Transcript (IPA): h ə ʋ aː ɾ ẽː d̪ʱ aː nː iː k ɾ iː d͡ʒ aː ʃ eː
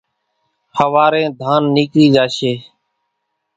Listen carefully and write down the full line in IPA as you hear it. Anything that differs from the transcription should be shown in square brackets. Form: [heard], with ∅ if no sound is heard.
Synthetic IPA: h ə ʋ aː ɾ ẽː d̪ʱ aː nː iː k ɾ iː d͡ʒ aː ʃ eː